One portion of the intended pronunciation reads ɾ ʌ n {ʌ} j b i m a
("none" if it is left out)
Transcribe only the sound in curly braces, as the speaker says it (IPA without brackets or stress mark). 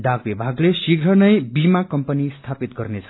ʌ